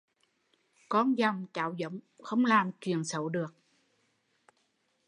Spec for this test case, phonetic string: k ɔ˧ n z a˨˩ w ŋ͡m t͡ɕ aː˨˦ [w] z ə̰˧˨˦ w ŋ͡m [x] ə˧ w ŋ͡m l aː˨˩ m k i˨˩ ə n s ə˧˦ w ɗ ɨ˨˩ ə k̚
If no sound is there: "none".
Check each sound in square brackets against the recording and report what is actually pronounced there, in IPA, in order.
w, x

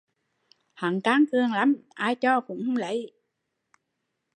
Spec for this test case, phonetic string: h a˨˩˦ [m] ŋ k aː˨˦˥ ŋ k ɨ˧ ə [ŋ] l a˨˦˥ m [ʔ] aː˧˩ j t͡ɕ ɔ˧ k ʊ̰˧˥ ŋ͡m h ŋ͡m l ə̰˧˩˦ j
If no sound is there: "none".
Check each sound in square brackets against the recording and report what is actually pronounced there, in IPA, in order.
none, ŋ, ʔ

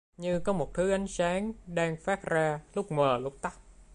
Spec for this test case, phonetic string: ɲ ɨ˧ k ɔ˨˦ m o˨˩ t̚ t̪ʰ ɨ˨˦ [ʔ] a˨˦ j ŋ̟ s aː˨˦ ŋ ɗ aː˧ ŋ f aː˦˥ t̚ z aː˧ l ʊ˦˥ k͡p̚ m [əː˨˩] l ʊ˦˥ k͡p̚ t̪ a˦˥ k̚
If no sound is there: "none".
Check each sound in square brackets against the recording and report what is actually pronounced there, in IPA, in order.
ʔ, əː˨˩

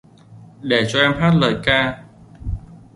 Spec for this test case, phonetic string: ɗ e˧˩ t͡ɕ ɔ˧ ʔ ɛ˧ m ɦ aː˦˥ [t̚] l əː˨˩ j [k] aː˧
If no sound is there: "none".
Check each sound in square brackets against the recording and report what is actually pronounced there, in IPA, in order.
t̚, k

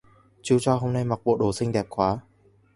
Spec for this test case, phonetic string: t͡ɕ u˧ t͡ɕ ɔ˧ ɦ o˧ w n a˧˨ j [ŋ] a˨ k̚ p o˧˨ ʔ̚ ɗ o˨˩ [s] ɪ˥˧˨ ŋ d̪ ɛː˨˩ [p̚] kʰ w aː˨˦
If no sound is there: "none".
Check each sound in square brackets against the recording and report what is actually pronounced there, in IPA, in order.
m, s, p̚

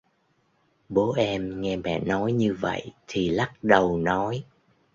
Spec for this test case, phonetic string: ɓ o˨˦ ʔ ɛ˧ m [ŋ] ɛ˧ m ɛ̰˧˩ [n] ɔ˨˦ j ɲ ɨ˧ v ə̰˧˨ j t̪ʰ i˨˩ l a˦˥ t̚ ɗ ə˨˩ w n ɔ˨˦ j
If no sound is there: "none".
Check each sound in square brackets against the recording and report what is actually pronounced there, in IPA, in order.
ŋ, n

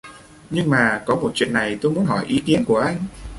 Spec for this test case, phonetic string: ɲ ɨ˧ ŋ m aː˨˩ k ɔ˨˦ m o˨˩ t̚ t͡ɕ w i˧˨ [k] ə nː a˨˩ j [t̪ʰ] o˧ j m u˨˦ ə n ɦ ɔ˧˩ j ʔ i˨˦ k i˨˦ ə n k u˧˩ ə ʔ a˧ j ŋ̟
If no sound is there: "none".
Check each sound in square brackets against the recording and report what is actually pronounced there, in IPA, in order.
none, t̪

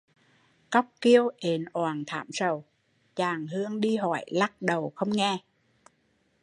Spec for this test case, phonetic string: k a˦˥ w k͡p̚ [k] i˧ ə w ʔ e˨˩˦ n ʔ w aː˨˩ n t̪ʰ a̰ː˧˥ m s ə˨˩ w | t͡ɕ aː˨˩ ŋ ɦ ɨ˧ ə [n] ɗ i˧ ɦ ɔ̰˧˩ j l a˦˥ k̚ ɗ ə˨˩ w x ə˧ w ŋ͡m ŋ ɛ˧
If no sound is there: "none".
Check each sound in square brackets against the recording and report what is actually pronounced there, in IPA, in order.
k, ŋ

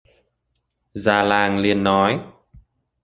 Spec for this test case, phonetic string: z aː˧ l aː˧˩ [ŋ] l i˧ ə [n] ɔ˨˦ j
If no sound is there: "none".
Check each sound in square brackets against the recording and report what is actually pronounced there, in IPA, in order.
ŋ, nː

